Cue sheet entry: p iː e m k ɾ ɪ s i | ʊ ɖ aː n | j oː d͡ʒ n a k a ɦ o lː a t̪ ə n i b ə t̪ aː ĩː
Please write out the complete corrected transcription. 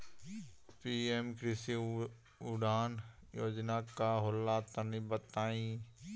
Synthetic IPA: p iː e m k ɾ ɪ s i | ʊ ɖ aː n | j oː d͡ʒ n a k a ɦ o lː a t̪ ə n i b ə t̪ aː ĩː